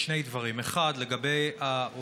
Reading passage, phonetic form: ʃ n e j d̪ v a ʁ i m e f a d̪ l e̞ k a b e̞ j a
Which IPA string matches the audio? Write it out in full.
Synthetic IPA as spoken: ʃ n e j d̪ v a ʁ i m e χ a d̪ l e̞ ɡ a b e̞ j a